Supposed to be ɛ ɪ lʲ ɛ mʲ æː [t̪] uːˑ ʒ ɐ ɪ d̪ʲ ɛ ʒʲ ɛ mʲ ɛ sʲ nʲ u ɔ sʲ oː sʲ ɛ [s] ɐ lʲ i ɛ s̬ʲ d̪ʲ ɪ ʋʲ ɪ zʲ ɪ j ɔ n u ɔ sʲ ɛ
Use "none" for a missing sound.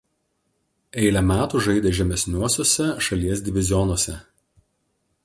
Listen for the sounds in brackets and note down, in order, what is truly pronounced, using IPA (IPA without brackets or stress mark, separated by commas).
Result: t̪, ʃ